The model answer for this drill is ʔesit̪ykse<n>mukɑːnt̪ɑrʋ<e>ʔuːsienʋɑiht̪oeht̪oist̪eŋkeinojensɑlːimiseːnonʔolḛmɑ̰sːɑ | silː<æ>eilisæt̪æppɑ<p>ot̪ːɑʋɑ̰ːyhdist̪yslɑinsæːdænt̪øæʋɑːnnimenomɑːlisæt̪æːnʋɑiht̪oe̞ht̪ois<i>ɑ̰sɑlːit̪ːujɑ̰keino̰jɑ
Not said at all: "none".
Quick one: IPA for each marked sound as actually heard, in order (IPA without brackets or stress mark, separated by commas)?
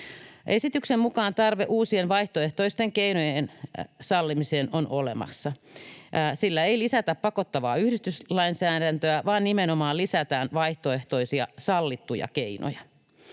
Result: m, e, æ, k, i